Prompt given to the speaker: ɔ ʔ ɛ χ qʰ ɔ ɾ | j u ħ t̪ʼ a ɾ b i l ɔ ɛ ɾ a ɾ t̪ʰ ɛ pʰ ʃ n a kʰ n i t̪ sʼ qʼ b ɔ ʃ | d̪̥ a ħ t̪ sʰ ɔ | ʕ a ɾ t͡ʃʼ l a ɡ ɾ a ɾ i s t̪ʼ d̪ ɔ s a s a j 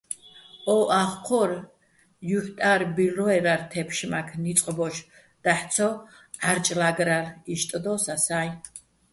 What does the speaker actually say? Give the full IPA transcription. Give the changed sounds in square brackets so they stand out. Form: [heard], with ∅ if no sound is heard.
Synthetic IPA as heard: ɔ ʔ [a] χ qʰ ɔ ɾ | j u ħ t̪ʼ a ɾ b i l ɔ ɛ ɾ a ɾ t̪ʰ ɛ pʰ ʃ [m] a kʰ n i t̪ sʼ qʼ b ɔ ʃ | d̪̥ a ħ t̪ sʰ ɔ | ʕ a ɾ t͡ʃʼ l a ɡ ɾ a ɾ i [ʃ] t̪ʼ d̪ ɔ s a s a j